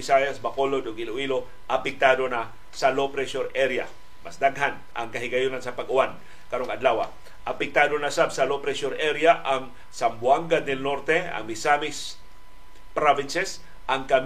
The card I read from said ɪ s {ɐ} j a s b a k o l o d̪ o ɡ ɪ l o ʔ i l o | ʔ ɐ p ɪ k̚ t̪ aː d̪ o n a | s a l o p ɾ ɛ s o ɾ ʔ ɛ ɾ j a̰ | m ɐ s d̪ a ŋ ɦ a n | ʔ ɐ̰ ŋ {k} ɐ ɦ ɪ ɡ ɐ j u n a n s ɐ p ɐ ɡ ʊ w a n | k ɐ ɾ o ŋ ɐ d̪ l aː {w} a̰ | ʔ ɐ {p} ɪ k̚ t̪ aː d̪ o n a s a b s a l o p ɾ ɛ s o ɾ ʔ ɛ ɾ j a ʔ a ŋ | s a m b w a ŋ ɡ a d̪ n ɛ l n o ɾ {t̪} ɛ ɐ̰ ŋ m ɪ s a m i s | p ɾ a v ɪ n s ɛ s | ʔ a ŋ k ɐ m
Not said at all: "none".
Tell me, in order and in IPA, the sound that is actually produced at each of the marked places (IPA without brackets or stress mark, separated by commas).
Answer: a, k, w, p, t̪